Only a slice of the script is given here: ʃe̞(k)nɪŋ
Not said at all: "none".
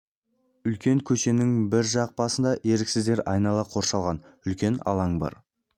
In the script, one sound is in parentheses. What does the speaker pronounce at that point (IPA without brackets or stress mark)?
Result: none